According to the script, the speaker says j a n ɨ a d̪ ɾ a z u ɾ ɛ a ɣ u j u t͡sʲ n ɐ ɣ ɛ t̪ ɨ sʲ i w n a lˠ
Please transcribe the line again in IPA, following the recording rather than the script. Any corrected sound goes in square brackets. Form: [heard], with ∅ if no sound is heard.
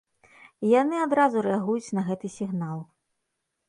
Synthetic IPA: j a n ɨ a d̪ ɾ a z u ɾ ɛ a ɣ u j u t͡sʲ n ɐ ɣ ɛ t̪ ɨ sʲ i [ɣ] n a lˠ